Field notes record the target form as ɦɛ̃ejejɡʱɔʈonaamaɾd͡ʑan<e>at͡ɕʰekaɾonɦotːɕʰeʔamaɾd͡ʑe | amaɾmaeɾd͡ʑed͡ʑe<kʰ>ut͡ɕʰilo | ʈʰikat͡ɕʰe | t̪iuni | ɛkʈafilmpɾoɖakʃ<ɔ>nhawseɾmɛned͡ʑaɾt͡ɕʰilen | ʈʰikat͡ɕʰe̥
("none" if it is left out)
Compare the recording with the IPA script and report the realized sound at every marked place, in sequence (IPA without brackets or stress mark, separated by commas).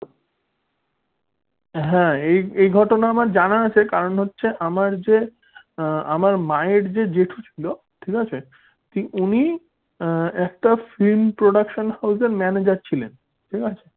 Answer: a, ʈʰ, o